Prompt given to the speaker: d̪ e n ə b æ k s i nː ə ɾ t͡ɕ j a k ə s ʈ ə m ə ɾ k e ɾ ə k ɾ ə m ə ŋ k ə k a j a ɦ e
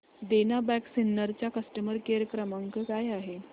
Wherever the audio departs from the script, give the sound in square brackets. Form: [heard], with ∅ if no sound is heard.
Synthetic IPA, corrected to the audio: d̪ e n [a] b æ k s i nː ə ɾ t͡ɕ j a k ə s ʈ ə m ə ɾ k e ɾ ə k ɾ ə m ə ŋ k ə k a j a ɦ e